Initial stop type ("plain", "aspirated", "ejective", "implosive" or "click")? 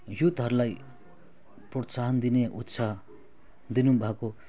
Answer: plain